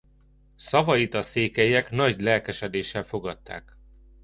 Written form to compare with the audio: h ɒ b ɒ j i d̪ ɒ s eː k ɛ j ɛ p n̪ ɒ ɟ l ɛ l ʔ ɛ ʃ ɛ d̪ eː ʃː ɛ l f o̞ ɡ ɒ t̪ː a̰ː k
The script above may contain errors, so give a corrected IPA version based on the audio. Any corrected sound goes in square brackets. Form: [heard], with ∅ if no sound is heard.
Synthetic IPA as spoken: [s] ɒ [v] ɒ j i [t̪] ɒ s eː k ɛ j ɛ [k] n̪ ɒ ɟ l ɛ l [k] ɛ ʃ ɛ d̪ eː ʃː ɛ l f o̞ ɡ ɒ t̪ː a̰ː k